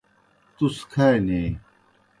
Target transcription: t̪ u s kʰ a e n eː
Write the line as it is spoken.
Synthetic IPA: t̪ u s kʰ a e n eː